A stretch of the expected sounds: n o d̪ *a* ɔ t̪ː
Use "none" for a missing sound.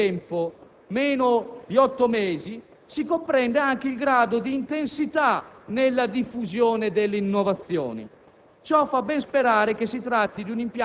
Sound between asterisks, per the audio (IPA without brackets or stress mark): i